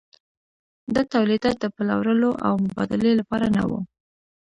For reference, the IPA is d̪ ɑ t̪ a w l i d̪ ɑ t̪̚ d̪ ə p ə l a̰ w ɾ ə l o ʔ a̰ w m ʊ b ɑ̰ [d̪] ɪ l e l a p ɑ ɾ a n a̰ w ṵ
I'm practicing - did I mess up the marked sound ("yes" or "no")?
no